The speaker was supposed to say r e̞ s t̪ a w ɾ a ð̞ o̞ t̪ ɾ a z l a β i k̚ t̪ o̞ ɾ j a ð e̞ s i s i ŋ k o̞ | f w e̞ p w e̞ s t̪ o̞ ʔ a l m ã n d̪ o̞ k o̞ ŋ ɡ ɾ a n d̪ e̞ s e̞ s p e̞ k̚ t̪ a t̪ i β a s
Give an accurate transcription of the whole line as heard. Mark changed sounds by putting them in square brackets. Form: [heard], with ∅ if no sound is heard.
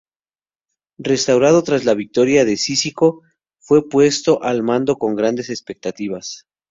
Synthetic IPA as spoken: r e̞ s t̪ a w ɾ a ð̞ o̞ t̪ ɾ a z l a β i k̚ t̪ o̞ ɾ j a ð e̞ s i s i [∅] k o̞ | f w e̞ p w e̞ s t̪ o̞ ʔ a l m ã n d̪ o̞ k o̞ ŋ ɡ ɾ a n d̪ e̞ s e̞ s p e̞ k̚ t̪ a t̪ i β a s